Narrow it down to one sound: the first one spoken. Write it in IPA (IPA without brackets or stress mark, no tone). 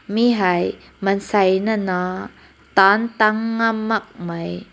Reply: m